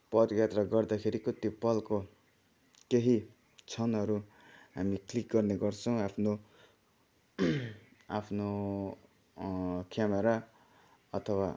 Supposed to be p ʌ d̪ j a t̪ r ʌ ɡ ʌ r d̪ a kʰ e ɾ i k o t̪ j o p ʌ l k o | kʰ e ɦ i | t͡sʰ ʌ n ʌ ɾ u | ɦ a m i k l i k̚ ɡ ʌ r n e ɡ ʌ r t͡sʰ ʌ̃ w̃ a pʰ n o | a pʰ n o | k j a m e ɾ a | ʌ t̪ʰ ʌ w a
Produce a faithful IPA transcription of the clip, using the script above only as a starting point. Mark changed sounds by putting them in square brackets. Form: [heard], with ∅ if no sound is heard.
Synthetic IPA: p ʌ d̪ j a t̪ r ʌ ɡ ʌ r d̪ a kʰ e ɾ i k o t̪ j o p ʌ l k o | [k] e ɦ i | t͡sʰ ʌ n ʌ ɾ u | ɦ a m i k l i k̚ ɡ ʌ r n e ɡ ʌ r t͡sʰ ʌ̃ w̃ a pʰ n o | a pʰ n o | k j a m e ɾ a | ʌ t̪ʰ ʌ w a